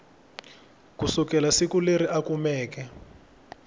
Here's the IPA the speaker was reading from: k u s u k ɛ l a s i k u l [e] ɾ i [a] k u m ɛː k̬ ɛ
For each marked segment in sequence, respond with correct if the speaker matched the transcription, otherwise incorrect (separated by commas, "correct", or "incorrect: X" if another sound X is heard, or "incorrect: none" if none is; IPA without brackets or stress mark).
correct, correct